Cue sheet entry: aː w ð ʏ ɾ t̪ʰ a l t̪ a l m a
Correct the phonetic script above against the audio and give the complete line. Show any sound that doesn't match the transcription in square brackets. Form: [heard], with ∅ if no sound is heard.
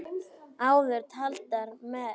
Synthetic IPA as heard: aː w ð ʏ ɾ t̪ʰ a l t̪ a [ɾ] m [ɛ]